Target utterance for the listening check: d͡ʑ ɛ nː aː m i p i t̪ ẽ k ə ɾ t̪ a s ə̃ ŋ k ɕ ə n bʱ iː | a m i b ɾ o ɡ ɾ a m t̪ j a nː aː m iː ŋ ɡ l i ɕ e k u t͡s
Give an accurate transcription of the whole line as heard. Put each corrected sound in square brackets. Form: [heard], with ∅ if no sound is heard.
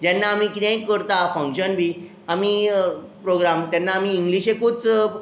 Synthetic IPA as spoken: d͡ʑ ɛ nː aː m i [k] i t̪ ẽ k ə ɾ t̪ a [f] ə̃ ŋ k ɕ ə n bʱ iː | a m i [p] ɾ o ɡ ɾ a m t̪ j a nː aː m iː ŋ ɡ l i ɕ e k u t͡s